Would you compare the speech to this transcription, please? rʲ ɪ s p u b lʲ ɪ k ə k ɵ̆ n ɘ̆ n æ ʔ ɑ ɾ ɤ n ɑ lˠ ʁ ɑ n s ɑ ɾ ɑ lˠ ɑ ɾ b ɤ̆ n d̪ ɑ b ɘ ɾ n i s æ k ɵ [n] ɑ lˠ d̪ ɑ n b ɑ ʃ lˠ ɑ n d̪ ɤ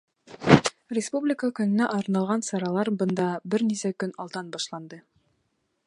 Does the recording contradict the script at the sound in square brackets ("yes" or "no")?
no